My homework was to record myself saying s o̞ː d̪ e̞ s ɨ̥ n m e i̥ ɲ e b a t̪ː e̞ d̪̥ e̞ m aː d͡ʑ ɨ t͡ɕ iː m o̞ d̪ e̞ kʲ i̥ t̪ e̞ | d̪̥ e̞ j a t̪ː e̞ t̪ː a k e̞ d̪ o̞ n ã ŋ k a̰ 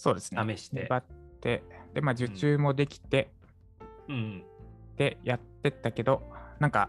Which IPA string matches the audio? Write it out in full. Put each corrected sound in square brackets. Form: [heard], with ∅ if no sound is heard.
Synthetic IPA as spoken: s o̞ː d̪ e̞ s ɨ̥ n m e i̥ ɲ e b a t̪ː e̞ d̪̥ e̞ m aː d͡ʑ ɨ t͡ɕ [ɨː] m o̞ d̪ e̞ kʲ i̥ t̪ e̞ | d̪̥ e̞ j a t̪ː e̞ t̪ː a k e̞ d̪ o̞ n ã ŋ k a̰